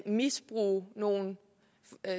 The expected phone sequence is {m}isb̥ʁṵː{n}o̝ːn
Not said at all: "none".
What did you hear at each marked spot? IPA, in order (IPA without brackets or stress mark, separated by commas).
m, n